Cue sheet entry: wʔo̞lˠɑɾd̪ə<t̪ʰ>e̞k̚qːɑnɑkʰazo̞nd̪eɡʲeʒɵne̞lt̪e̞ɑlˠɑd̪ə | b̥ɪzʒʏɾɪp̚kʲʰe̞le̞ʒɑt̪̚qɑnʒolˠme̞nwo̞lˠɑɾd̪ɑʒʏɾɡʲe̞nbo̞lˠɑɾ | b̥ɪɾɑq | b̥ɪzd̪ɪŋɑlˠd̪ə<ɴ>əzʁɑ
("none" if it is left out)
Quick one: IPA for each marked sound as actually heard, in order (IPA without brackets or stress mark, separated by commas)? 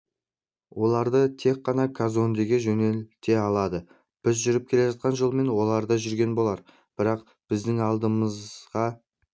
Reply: t̪ʰ, m